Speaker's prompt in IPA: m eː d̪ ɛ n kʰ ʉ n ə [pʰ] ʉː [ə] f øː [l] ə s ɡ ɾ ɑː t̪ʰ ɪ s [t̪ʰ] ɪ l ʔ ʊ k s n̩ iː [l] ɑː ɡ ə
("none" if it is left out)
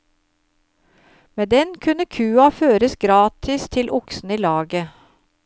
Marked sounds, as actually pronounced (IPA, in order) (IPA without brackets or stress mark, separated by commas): kʰ, ɑ, ɾ, t̪ʰ, l